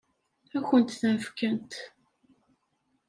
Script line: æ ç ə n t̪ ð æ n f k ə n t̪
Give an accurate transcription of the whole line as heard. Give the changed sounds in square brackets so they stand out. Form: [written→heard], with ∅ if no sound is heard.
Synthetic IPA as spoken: æ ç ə n t̪ [ð→θ] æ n f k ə n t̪